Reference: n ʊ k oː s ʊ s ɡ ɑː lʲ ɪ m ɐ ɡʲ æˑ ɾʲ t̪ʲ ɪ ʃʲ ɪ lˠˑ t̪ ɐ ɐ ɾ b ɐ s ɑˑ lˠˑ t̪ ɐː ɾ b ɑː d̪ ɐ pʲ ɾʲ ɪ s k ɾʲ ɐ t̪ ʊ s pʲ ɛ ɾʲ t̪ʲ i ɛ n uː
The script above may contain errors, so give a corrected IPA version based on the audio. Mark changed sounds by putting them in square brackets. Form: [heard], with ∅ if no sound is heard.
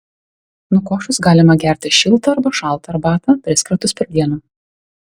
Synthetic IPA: n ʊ k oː [ʃ] ʊ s ɡ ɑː lʲ ɪ m ɐ ɡʲ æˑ ɾʲ t̪ʲ ɪ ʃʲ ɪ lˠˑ t̪ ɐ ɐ ɾ b ɐ [ʃ] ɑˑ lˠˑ t̪ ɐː ɾ b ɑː [t̪] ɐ pʲ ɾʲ ɪ s k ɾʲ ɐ t̪ ʊ s pʲ ɛ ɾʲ [d̪ʲ] i ɛ n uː